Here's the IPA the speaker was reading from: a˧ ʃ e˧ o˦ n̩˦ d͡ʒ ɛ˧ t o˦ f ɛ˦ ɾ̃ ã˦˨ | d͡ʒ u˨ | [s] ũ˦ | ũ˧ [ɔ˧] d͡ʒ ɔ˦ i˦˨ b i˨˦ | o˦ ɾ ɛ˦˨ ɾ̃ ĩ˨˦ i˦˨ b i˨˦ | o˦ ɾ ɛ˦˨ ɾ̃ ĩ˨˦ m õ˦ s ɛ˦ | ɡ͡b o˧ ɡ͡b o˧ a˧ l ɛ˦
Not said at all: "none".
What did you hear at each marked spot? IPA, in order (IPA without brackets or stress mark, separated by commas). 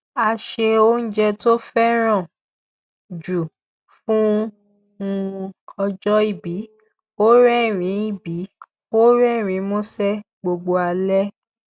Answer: f, ɔ˧